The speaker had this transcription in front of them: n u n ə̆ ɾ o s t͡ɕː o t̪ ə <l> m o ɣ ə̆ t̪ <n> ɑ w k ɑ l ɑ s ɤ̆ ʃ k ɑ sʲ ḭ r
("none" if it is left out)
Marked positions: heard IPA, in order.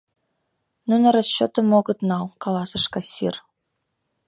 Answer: none, n

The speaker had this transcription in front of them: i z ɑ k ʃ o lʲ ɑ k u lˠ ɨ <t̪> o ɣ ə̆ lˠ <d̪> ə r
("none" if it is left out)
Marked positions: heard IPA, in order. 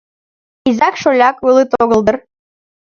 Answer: t̪, d̪

